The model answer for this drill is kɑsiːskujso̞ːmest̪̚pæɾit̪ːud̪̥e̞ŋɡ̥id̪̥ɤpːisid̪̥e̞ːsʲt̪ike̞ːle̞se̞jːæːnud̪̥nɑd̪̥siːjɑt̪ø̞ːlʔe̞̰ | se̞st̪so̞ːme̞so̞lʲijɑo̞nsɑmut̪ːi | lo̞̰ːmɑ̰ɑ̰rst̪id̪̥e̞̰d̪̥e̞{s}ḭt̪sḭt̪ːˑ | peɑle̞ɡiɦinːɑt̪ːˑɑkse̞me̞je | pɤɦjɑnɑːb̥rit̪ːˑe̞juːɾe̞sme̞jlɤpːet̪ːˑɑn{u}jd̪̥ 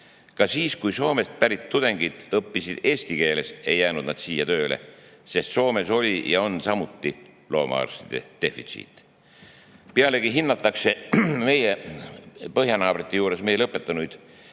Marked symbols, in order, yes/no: no, yes

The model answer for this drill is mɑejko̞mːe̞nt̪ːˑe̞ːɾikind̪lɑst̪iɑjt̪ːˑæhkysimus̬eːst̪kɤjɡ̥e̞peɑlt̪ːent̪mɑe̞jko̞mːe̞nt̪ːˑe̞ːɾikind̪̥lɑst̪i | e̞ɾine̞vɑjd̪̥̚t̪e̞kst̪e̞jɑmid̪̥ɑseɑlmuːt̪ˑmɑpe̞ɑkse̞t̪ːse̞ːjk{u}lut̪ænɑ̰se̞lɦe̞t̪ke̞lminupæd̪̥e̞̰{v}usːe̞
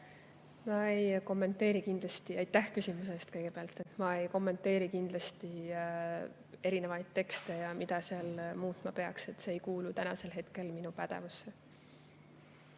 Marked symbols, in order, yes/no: no, yes

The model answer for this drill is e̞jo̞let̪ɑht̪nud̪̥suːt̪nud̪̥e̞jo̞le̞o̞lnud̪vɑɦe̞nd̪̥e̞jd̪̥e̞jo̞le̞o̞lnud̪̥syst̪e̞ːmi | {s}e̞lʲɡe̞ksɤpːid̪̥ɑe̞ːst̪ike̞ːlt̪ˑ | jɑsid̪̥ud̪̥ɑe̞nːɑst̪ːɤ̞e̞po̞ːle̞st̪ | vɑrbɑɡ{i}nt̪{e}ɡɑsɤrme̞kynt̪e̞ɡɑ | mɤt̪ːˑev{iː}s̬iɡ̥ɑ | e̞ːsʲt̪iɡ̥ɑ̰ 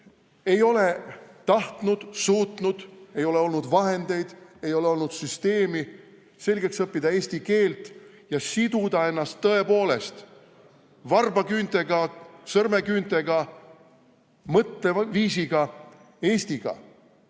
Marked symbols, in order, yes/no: yes, no, yes, yes

